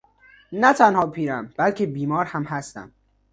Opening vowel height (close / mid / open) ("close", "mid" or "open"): open